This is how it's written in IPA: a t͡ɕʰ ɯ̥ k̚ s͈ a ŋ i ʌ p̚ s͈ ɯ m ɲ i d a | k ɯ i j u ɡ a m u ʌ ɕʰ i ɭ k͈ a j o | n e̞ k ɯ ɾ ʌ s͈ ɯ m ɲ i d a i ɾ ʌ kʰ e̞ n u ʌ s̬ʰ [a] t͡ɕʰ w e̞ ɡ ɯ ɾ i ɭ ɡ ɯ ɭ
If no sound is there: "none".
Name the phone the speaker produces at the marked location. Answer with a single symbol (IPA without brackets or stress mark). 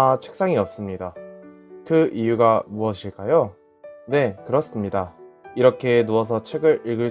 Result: ʌ